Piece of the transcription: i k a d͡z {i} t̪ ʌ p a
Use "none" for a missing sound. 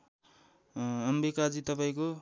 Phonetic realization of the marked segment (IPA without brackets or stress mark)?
i